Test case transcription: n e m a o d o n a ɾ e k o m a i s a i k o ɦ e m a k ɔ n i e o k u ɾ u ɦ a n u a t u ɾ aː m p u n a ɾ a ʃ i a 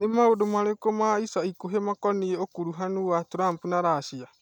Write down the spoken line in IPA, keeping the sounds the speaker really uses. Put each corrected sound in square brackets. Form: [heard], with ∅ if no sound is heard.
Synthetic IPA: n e m a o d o [m] a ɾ e k o m a i s a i k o ɦ e m a k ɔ n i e o k u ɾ u ɦ a n u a t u ɾ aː m p u n a ɾ a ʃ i a